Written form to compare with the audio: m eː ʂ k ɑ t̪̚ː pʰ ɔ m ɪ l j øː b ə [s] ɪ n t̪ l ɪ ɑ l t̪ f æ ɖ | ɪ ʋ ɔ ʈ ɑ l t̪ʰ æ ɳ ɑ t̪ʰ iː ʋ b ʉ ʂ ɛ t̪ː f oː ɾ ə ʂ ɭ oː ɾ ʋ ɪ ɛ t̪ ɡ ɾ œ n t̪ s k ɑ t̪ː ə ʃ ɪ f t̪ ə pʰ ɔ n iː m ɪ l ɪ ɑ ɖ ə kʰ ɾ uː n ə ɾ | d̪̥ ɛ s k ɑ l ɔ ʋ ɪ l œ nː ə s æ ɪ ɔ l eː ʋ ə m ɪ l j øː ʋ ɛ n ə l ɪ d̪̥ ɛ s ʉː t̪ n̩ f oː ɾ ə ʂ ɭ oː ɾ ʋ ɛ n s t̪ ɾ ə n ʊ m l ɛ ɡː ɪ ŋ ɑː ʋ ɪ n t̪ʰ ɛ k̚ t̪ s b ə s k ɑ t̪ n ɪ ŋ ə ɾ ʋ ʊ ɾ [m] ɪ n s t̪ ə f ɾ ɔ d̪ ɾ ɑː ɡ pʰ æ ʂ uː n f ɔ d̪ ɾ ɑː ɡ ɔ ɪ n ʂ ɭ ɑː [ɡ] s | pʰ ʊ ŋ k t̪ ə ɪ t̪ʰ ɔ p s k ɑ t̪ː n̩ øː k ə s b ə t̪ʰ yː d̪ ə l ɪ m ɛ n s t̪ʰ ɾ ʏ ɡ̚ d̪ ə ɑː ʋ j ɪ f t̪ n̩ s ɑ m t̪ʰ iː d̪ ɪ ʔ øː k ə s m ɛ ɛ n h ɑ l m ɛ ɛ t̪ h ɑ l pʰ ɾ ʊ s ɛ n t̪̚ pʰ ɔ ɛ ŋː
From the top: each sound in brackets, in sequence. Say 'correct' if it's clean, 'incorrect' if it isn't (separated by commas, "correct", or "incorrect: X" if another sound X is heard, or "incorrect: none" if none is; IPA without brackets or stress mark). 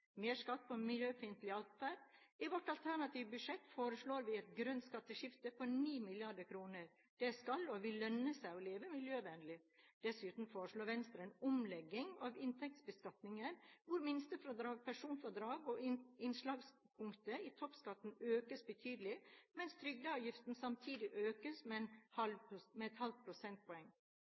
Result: incorrect: f, correct, correct